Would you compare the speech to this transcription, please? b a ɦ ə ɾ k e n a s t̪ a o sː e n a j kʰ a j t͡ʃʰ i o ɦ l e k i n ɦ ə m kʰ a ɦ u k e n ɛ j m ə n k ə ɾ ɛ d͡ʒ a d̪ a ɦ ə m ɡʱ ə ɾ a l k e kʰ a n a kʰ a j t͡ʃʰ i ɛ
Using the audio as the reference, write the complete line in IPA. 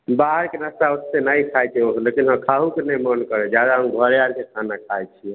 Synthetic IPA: b a ɦ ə ɾ k e n a s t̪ a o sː e n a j kʰ a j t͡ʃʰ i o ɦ l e k i n ɦ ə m kʰ a ɦ u k e n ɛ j m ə n k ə ɾ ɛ d͡ʒ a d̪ a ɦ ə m ɡʱ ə ɾ a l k e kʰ a n a kʰ a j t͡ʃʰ i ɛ